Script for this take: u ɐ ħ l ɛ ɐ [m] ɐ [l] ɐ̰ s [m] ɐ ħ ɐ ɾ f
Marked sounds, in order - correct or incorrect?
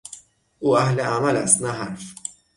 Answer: correct, correct, incorrect: n

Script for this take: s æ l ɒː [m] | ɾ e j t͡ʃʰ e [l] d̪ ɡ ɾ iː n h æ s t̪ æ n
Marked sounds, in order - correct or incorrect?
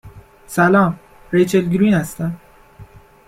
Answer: correct, correct

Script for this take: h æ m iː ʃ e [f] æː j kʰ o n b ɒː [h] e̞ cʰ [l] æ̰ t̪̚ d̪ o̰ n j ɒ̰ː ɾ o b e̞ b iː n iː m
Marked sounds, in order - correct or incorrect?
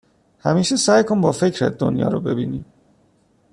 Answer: incorrect: s, incorrect: f, incorrect: ɾ

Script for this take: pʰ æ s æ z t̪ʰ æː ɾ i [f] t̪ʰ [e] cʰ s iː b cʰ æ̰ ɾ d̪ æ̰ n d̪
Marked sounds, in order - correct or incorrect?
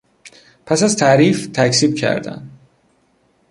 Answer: correct, incorrect: æ

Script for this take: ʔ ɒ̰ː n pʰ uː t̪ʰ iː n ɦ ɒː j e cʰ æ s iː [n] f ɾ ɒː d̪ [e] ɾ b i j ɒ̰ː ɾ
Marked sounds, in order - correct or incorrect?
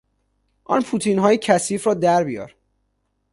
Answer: incorrect: none, incorrect: æ

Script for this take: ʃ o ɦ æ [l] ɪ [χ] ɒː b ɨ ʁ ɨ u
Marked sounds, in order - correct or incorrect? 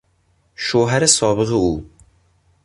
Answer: incorrect: ɾ, incorrect: s

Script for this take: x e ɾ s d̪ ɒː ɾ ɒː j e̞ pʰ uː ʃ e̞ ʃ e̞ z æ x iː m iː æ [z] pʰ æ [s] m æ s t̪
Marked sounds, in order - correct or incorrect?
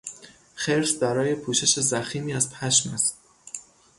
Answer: correct, incorrect: ʃ

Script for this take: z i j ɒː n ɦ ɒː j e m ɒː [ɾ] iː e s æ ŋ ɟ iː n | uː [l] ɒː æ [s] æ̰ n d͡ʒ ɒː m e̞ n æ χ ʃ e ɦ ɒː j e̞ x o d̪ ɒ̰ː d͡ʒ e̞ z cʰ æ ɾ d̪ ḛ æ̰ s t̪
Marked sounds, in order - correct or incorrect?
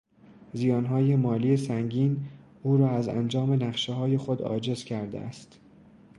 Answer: incorrect: l, incorrect: ɾ, incorrect: z

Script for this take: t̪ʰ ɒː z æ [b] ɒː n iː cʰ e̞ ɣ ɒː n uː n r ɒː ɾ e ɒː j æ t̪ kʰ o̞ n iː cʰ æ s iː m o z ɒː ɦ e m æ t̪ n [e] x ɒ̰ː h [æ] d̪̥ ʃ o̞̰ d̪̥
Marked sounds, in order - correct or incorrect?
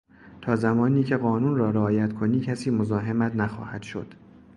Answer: incorrect: m, incorrect: æ, correct

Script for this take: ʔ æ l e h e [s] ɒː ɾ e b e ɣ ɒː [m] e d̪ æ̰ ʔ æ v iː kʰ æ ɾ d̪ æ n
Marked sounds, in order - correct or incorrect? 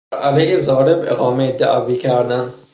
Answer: incorrect: z, correct

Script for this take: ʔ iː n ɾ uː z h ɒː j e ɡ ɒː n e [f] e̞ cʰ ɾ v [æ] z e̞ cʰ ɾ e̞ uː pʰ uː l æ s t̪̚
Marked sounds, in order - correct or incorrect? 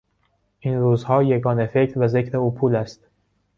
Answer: correct, correct

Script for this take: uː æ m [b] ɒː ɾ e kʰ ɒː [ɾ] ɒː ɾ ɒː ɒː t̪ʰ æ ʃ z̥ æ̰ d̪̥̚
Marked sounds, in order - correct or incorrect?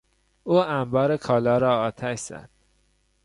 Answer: correct, incorrect: l

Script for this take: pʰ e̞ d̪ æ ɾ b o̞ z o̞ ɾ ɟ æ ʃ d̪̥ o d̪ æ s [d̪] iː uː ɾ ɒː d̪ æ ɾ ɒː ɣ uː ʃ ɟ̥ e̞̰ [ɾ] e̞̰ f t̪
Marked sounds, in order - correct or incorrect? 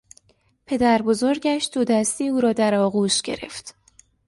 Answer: incorrect: t̪, correct

